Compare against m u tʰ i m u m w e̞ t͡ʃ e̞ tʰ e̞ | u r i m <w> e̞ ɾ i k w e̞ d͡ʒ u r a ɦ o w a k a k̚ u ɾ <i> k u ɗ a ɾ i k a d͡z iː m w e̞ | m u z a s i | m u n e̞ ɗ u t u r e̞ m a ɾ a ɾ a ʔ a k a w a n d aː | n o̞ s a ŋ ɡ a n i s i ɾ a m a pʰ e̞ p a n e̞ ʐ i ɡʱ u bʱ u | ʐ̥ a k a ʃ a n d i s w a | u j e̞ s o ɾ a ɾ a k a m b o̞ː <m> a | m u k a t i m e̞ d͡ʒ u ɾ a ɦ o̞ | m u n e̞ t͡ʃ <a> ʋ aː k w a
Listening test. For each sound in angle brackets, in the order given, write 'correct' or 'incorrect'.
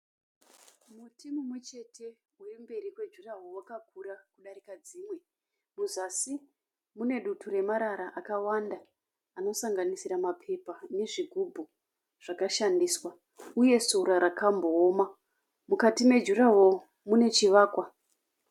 incorrect, incorrect, correct, incorrect

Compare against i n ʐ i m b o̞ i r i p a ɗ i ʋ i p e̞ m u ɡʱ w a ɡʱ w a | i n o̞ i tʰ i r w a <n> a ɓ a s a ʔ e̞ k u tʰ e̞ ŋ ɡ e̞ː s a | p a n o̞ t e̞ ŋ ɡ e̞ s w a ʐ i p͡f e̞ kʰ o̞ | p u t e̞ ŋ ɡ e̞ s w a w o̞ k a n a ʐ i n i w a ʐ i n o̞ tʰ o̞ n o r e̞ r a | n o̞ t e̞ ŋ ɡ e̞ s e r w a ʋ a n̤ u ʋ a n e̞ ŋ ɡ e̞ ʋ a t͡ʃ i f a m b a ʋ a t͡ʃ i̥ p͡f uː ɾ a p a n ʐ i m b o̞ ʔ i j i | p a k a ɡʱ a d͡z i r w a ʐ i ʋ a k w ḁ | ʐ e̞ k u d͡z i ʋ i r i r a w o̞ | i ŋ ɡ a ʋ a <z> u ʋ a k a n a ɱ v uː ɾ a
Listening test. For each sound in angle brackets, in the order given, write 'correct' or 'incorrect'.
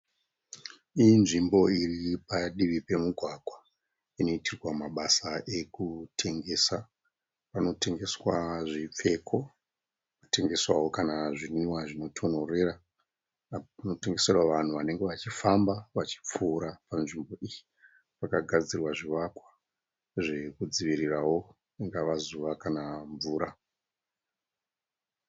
incorrect, correct

